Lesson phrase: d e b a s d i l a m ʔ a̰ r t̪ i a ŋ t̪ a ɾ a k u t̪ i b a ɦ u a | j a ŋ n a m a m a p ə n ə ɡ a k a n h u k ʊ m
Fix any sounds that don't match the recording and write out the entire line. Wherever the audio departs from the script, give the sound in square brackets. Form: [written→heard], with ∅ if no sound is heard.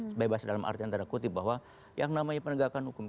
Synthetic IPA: [d→b] e b a s d [i→a] l a m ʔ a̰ r t̪ i a [ŋ→n] t̪ a ɾ a k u t̪ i b a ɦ [u→w] a | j a ŋ n a m a [m→ɲ] a p ə n ə ɡ a k a n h u k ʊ m